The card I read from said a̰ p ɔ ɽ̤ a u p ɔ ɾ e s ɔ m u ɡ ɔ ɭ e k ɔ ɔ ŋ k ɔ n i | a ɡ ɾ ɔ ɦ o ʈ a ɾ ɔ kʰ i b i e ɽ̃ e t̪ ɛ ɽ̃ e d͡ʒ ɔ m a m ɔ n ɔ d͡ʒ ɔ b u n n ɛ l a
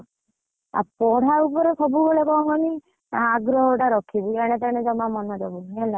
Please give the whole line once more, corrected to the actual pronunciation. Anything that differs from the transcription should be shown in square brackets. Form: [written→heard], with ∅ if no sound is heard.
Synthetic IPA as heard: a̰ p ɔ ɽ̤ a u p ɔ ɾ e s ɔ [m→b] u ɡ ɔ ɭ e k ɔ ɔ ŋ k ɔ n i | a ɡ ɾ ɔ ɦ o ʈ a ɾ ɔ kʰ i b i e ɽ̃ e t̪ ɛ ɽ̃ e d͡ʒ ɔ m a m ɔ n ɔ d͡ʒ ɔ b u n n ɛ l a